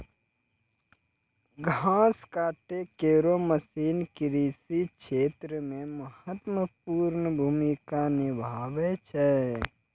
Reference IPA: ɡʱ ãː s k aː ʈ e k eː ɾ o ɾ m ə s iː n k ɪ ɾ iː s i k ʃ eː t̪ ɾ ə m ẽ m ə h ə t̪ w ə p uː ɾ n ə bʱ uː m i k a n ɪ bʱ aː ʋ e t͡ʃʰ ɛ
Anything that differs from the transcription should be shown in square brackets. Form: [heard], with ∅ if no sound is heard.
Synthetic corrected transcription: ɡʱ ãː s k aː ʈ e k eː ɾ o [∅] m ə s iː n k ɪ ɾ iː s i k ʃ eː t̪ ɾ ə m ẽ m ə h ə t̪ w ə p uː ɾ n ə bʱ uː m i k a n ɪ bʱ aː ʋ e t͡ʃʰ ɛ